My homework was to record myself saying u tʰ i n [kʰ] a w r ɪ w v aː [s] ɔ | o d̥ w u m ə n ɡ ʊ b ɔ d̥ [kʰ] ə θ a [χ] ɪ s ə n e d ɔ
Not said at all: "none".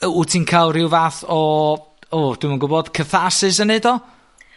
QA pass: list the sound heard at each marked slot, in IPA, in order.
kʰ, θ, kʰ, s

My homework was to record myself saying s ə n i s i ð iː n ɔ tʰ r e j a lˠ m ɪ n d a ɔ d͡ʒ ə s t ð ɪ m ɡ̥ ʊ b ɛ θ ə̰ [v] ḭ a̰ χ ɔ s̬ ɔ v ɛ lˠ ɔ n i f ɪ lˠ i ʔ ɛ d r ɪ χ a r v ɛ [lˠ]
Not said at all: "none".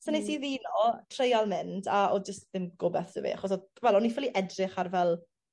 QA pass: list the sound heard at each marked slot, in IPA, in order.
v, lˠ

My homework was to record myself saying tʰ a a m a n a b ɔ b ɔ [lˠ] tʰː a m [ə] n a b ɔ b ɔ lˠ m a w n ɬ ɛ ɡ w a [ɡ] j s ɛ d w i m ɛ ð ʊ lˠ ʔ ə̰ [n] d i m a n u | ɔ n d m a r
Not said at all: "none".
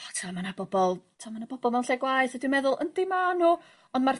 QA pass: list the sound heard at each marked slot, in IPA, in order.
lˠ, a, none, n

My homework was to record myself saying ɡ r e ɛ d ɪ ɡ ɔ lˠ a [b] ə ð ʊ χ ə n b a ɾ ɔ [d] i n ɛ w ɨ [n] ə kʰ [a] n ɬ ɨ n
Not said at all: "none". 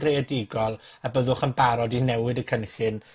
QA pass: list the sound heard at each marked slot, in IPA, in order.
b, d, d, ə

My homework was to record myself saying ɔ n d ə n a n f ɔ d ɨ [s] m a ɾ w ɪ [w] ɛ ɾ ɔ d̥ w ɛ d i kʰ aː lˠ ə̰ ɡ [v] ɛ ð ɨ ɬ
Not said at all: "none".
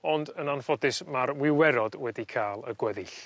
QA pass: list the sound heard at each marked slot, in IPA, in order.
s, w, w

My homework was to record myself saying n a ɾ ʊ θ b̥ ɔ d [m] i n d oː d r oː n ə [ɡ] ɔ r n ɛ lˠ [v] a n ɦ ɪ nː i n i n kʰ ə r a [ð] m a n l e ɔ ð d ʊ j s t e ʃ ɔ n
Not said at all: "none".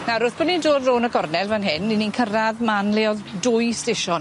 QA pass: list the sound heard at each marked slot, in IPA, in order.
n, ɡ, v, ð

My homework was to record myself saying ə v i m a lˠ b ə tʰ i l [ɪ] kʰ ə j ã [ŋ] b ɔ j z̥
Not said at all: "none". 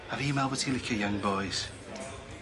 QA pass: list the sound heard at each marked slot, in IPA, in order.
ɪ, ŋ

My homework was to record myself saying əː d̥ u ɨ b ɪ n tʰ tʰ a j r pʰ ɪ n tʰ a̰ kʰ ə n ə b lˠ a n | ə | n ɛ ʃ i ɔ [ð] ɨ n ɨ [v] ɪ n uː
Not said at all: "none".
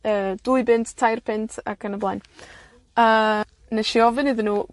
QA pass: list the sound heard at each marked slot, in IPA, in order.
v, ð

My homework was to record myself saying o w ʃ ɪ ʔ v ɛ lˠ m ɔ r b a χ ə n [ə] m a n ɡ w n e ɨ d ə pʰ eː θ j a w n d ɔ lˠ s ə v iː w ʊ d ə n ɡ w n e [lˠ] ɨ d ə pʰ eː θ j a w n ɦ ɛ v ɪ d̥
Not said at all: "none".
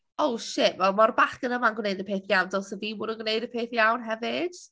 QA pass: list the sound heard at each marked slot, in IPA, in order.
ə, none

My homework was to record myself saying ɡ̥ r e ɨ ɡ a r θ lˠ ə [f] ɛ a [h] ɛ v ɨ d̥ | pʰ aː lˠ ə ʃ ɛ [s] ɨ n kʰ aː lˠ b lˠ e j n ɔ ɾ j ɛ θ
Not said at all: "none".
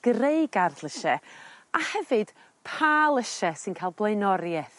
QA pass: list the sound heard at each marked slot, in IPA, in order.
ʃ, h, s

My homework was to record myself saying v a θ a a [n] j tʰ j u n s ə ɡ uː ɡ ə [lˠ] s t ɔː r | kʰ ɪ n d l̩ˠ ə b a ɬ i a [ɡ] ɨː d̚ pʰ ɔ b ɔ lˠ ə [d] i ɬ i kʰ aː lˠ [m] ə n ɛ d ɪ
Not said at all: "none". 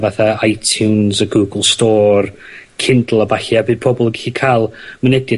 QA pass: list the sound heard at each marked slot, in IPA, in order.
none, lˠ, b, ɡ, m

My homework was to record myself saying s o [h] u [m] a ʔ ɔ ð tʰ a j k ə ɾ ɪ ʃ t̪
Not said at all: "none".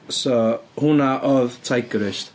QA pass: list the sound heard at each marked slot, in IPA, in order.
h, n

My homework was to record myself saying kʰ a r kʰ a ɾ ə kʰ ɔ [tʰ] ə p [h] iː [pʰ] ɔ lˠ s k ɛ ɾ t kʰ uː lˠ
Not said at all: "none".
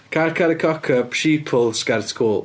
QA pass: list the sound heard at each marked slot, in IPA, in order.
kʰ, ʃ, pʰ

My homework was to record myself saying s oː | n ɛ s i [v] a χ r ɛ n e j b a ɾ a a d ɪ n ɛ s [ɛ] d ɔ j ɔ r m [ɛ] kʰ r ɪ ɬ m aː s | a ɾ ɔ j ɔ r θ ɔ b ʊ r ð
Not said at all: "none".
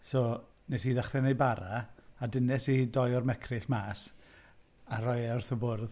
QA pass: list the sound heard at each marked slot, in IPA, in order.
ð, i, ɛ

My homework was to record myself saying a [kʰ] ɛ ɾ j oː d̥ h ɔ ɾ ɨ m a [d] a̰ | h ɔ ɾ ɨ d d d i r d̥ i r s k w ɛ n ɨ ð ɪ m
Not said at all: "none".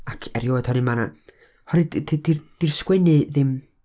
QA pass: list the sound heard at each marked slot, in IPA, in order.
kʰ, n

